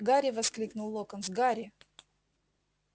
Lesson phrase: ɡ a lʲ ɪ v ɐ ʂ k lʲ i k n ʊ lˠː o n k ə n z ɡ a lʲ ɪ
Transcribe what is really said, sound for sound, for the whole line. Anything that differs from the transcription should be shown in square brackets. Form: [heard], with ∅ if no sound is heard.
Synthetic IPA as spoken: ɡ a [ɾʲ] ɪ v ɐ [s] k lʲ i k n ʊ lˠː o [∅] k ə n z ɡ a [ɾʲ] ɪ